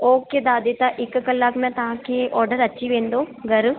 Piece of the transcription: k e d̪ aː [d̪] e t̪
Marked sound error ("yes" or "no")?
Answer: no